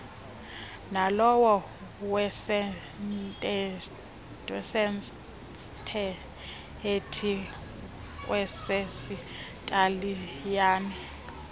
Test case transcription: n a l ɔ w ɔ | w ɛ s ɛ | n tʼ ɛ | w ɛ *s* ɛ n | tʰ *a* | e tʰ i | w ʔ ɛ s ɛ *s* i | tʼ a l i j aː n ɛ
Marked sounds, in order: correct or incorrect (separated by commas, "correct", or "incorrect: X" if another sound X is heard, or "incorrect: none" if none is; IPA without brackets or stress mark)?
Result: correct, incorrect: ɛ, correct